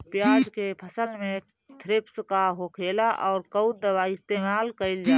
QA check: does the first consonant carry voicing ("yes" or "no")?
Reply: no